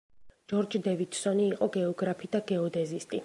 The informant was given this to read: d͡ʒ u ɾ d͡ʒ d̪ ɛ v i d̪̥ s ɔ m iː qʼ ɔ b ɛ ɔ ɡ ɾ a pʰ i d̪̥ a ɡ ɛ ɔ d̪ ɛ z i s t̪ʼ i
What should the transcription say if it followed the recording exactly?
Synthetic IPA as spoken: d͡ʒ ɔ ɾ d͡ʒ d̪ ɛ v i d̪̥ s ɔ n iː qʼ ɔ ɡ ɛ ɔ ɡ ɾ a pʰ i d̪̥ a ɡ ɛ ɔ d̪ ɛ z i s t̪ʼ i